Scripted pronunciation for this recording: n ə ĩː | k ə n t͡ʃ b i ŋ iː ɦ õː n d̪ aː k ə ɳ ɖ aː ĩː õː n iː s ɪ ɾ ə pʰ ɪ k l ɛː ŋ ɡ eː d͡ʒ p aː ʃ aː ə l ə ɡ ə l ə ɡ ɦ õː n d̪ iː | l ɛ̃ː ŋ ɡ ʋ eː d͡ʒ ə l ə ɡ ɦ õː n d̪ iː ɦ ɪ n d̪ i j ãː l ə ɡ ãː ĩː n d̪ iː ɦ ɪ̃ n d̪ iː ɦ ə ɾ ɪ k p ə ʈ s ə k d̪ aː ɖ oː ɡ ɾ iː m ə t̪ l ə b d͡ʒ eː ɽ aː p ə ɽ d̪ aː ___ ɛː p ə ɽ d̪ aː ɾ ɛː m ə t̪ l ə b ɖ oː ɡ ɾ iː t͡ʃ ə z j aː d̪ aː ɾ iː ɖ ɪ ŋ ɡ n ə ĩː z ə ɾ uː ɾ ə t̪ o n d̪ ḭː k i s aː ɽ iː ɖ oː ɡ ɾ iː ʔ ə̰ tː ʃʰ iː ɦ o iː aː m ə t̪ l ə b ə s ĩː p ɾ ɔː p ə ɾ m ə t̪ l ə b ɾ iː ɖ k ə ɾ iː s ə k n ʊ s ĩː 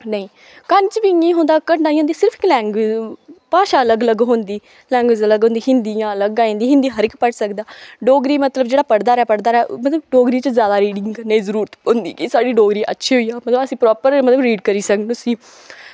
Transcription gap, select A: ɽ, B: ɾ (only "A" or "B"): B